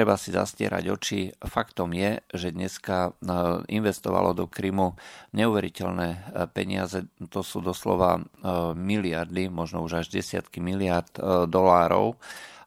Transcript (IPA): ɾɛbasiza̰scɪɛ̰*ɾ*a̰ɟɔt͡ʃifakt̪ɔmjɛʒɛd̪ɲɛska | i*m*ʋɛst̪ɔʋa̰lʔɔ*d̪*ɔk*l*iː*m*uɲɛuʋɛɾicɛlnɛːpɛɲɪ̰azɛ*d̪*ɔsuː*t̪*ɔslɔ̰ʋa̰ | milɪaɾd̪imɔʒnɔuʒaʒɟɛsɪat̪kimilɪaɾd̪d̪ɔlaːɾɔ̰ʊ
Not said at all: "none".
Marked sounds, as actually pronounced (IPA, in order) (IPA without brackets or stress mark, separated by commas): ɾ, n, d̪, ɾ, m, t̪, d̪